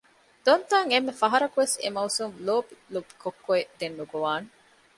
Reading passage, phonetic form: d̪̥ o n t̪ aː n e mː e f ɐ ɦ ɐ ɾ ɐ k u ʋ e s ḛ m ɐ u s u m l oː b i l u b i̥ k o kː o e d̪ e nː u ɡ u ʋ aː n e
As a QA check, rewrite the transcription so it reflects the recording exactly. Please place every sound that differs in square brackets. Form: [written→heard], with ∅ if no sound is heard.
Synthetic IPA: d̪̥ o n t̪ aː [n→ŋ] e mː e f ɐ ɦ ɐ ɾ ɐ k u ʋ e s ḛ m ɐ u s u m l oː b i l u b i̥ k o kː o e d̪ e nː u ɡ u ʋ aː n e